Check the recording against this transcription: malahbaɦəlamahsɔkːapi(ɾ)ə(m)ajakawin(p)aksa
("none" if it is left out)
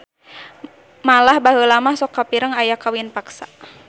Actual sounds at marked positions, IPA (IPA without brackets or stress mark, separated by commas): ɾ, ŋ, p